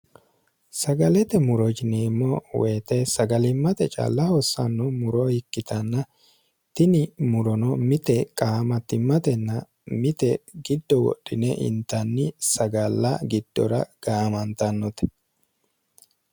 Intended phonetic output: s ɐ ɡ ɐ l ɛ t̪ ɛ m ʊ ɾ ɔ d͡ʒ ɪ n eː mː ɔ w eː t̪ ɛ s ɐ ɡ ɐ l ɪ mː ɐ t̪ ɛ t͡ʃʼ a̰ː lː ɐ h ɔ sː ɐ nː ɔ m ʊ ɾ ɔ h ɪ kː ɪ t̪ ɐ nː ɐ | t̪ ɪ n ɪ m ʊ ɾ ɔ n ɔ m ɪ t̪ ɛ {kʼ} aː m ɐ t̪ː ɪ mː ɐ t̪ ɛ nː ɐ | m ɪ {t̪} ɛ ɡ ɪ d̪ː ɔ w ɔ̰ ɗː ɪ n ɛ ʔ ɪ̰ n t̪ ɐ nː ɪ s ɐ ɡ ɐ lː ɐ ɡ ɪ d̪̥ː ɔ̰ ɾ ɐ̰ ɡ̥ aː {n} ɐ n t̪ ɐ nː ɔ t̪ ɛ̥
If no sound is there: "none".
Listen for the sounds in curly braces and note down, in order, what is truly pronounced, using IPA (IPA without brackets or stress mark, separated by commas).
kʼ, t̪, m